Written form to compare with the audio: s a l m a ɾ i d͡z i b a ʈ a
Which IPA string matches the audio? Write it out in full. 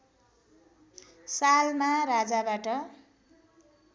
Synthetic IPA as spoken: s a l m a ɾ a d͡z a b a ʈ ʌ